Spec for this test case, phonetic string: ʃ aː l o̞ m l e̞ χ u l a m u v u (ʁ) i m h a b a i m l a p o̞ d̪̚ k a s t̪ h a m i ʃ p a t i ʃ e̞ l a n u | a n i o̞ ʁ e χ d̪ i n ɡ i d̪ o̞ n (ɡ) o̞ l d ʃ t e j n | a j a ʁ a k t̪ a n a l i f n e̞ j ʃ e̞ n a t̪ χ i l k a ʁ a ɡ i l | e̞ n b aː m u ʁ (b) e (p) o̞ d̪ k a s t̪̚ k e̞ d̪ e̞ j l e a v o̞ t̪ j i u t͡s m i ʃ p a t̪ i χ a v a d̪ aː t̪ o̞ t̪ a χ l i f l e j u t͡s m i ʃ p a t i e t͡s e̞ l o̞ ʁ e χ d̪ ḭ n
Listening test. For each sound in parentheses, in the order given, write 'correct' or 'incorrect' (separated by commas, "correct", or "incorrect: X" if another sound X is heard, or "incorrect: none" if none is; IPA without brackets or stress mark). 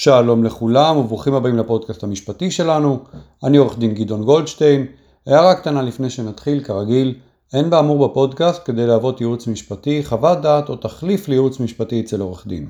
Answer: incorrect: χ, correct, correct, correct